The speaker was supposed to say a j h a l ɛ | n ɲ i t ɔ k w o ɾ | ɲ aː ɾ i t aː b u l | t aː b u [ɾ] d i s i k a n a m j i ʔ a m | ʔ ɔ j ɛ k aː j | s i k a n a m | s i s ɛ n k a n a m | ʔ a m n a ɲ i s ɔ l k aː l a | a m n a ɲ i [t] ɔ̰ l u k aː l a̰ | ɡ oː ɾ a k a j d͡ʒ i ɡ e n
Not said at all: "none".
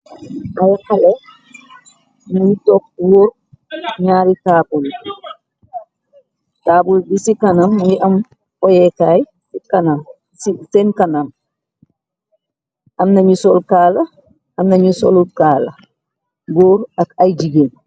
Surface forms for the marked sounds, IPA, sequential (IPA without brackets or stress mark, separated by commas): l, s